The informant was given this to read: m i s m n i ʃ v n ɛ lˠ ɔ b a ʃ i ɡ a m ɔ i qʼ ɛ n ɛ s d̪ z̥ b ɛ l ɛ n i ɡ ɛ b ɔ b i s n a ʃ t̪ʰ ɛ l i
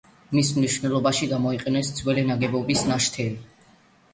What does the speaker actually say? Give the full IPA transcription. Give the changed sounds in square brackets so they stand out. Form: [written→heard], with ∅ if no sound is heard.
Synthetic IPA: m i s m n i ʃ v n ɛ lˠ ɔ b a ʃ i ɡ a m ɔ i qʼ ɛ n ɛ s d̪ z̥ [b→w] ɛ l ɛ n [i→a] ɡ ɛ b ɔ b i s n a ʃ t̪ʰ ɛ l i